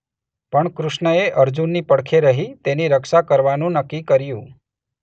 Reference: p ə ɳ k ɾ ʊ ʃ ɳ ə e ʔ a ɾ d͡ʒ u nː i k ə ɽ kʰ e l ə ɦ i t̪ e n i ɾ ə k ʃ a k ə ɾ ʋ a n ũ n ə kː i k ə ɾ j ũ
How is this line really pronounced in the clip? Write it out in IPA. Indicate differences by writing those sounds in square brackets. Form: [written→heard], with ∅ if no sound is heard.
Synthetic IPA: p ə ɳ k ɾ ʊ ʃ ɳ ə e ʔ [a→ə] ɾ d͡ʒ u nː i [k→p] ə ɽ kʰ e [l→ɾ] ə ɦ i t̪ e n i ɾ ə k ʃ a k ə ɾ ʋ a n ũ n ə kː i k ə ɾ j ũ

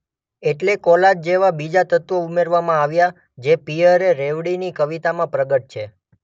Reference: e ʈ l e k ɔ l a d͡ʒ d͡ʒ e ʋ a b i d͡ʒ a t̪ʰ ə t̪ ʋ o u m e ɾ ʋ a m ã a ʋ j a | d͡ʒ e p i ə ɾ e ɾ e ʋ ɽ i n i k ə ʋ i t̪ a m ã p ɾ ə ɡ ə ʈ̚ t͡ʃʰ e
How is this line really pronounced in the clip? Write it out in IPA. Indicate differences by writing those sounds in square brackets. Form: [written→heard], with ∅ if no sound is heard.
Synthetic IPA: e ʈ l e k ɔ l a d͡ʒ d͡ʒ e ʋ a b i d͡ʒ a [t̪ʰ→t̪] ə t̪ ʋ o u m e ɾ ʋ a m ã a ʋ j a | d͡ʒ e p i ə ɾ e ɾ e ʋ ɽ i n i k ə ʋ i t̪ a m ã p ɾ ə ɡ ə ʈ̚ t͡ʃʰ e

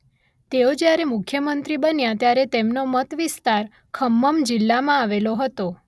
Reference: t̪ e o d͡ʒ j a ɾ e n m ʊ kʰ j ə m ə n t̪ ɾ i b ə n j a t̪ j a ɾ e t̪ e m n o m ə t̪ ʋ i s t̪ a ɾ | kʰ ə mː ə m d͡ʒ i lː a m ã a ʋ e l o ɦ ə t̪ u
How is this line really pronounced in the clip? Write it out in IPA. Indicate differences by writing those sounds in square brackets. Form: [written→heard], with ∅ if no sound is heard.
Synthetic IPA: t̪ e o d͡ʒ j a ɾ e [n→∅] m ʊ kʰ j ə m ə n t̪ ɾ i b ə n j a t̪ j a ɾ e t̪ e m n o m ə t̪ ʋ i s t̪ a ɾ | kʰ ə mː ə m d͡ʒ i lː a m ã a ʋ e l o ɦ ə t̪ [u→o]

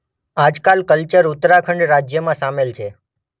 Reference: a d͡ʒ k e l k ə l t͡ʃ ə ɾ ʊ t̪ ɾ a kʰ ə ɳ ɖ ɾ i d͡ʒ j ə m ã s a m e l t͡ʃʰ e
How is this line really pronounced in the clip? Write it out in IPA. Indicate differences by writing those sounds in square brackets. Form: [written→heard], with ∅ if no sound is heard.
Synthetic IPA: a d͡ʒ k [e→a] l k ə l t͡ʃ ə ɾ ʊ t̪ ɾ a kʰ ə ɳ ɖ ɾ [i→a] d͡ʒ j ə m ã s a m e l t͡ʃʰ e

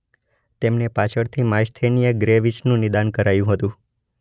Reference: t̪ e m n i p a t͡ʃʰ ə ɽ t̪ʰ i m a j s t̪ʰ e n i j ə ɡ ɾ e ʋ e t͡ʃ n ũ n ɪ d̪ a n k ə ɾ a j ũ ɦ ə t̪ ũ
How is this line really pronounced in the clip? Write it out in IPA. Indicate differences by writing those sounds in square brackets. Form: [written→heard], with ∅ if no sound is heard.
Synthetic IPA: t̪ e m n [i→e] p a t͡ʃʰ ə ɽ t̪ʰ i m a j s t̪ʰ e n i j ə ɡ ɾ e ʋ [e→i] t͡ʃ n ũ n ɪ d̪ a n k ə ɾ a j ũ ɦ ə t̪ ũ

